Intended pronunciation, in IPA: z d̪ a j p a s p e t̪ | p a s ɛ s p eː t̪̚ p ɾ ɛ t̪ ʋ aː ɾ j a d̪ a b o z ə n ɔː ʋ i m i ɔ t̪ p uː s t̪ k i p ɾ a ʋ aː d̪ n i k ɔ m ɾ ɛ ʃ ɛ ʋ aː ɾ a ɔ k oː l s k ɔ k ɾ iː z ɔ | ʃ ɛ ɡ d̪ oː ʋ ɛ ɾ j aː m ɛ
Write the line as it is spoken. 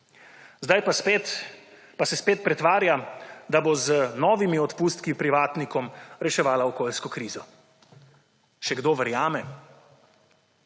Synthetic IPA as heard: z d̪ a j p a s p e t̪ | p a s ɛ s p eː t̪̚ p ɾ ɛ t̪ ʋ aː ɾ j a d̪ a b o z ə n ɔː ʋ i m i ɔ t̪ p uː s t̪ k i p ɾ i ʋ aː t̪ n i k ɔ m ɾ ɛ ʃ ɛ ʋ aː l a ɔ k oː l s k ɔ k ɾ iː z ɔ | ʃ ɛ ɡ d̪ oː ʋ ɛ ɾ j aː m ɛ

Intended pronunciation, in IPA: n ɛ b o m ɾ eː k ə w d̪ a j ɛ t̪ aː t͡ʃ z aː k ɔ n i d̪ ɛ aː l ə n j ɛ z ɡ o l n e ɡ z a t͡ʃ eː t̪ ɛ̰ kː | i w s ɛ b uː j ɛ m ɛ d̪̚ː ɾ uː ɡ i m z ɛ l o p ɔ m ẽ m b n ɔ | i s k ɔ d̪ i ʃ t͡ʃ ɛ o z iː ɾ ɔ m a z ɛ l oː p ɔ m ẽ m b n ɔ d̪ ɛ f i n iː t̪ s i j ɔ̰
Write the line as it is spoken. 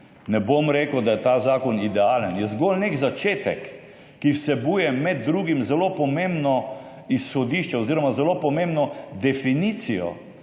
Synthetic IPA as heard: n ɛ b o m ɾ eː k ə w d̪ a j ɛ t̪ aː z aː k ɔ n i d̪ ɛ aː l ə n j ɛ z ɡ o l n e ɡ z a t͡ʃ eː t̪ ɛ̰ kː | i w s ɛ b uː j ɛ m ɛ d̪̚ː ɾ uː ɡ i m z ɛ l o p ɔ m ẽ m b n ɔ | i s x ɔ d̪ i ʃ t͡ʃ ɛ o z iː ɾ ɔ m a z ɛ l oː p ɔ m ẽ m b n ɔ d̪ ɛ f i n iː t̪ s i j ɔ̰

